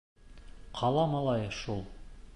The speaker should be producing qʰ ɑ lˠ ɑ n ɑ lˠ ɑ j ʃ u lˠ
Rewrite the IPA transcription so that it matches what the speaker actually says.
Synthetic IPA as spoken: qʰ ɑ lˠ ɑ m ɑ lˠ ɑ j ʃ u lˠ